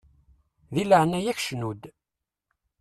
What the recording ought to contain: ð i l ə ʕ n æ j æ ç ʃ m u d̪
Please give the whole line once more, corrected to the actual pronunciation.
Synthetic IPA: ð i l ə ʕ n æ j æ ç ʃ n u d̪